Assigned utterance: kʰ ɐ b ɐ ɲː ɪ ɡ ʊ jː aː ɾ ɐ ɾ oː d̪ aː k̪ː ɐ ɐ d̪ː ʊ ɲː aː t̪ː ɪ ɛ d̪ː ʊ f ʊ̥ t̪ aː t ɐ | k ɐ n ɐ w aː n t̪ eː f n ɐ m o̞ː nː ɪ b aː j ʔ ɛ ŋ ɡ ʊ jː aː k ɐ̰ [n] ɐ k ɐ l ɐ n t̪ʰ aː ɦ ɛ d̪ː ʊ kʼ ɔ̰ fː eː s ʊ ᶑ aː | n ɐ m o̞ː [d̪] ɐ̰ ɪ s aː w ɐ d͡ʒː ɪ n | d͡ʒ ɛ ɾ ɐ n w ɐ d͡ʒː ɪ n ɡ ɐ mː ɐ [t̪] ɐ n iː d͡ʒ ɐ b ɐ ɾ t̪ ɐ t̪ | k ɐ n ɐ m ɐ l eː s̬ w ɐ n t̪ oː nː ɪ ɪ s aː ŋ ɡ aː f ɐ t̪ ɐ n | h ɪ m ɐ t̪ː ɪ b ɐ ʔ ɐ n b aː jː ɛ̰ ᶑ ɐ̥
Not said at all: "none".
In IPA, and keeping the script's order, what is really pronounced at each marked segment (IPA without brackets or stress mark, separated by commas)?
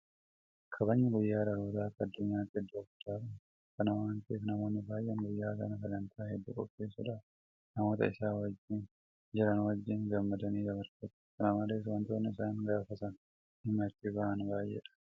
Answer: n, t̪, d̪